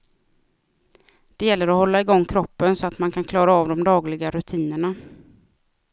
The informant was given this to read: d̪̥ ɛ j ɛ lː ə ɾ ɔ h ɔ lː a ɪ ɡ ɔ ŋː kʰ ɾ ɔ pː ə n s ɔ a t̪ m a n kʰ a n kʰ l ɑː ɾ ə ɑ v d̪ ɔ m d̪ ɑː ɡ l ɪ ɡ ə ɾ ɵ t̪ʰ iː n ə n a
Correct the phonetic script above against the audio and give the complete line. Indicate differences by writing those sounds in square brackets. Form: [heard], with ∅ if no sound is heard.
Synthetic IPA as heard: d̪̥ ɛ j ɛ lː ə ɾ ɔ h ɔ lː a ɪ ɡ ɔ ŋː kʰ ɾ ɔ pː ə n s ɔ a t̪ m a n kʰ a n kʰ l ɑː ɾ [a] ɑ v d̪ ɔ m d̪ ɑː ɡ l ɪ ɡ [a] ɾ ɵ t̪ʰ iː n ə [ɳ] a